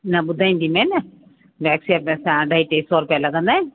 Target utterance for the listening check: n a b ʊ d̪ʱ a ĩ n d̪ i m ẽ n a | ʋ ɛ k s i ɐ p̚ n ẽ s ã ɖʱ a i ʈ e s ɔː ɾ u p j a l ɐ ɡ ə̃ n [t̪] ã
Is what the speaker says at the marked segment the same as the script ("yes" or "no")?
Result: no